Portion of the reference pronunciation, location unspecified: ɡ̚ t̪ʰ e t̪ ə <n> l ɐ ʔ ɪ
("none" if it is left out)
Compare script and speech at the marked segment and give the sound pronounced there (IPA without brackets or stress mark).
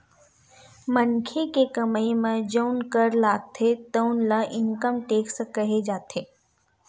n